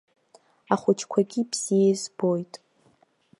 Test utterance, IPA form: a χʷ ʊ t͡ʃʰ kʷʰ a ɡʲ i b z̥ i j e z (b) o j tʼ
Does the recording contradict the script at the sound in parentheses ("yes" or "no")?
no